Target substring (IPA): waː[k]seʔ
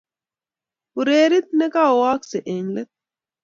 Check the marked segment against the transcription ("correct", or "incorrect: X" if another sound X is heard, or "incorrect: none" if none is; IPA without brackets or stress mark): correct